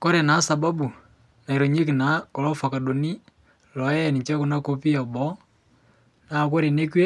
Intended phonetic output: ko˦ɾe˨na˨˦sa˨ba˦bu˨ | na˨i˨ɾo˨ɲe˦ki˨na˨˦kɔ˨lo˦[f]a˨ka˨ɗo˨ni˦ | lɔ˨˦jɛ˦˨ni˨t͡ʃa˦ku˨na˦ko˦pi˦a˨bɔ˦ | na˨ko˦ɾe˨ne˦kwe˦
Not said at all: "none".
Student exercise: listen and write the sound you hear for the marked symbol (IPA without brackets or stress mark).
f